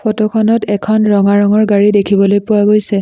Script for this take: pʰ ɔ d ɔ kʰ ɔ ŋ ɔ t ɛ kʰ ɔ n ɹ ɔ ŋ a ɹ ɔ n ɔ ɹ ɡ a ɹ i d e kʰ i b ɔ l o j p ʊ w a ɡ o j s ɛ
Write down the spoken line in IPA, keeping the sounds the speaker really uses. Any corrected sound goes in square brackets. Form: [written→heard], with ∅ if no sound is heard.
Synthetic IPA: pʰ ɔ [d→t] ɔ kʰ ɔ [ŋ→n] ɔ t ɛ kʰ ɔ n ɹ ɔ ŋ a ɹ ɔ [n→ŋ] ɔ ɹ ɡ a ɹ i d e kʰ i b ɔ l o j p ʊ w a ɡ o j s ɛ